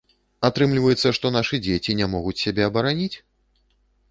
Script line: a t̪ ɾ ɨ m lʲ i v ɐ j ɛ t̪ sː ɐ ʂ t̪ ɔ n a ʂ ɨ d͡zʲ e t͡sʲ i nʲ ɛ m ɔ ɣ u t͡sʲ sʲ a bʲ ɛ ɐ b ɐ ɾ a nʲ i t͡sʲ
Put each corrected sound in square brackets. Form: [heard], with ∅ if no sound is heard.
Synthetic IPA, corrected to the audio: a t̪ ɾ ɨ m lʲ i v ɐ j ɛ t̪ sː ɐ ʂ t̪ ɔ n a ʂ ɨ d͡zʲ e t͡sʲ i nʲ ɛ m ɔ ɣ u t͡sʲ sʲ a bʲ ɛ ɐ b ɐ ɾ a nʲ i t͡sʲ